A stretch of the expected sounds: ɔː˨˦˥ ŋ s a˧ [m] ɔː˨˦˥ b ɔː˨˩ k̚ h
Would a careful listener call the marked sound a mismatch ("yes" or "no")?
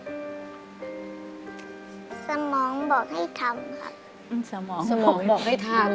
no